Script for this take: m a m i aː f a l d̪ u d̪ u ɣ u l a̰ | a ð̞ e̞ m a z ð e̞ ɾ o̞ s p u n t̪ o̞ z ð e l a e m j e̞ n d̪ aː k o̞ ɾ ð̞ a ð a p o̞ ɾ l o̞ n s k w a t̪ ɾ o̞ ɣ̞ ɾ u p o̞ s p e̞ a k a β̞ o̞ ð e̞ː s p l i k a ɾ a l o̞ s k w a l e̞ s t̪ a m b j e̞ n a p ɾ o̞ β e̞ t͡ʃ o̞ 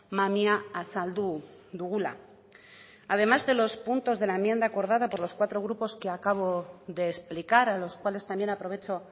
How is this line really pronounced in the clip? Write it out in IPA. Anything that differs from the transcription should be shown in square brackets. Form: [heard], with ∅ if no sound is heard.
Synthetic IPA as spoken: m a m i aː [s] a l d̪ u d̪ u ɣ u l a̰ | a ð̞ e̞ m a z ð e̞ [l] o̞ s p u n t̪ o̞ z ð e l a e m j e̞ n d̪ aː k o̞ ɾ ð̞ a ð a p o̞ ɾ l o̞ [∅] s k w a t̪ ɾ o̞ ɣ̞ ɾ u p o̞ s [k] e̞ a k a β̞ o̞ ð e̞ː s p l i k a ɾ a l o̞ s k w a l e̞ s t̪ a m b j e̞ n a p ɾ o̞ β e̞ t͡ʃ o̞